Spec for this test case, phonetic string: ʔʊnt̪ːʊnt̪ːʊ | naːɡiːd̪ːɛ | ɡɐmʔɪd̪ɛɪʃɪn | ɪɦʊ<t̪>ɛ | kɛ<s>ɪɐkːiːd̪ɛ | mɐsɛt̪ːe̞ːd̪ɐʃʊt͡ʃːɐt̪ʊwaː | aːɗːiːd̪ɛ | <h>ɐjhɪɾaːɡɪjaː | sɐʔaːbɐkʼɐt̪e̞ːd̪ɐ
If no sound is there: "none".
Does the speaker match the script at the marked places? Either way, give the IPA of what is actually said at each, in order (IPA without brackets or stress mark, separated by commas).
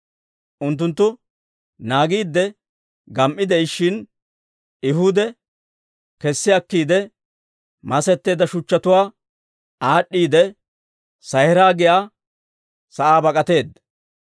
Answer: d̪, sː, s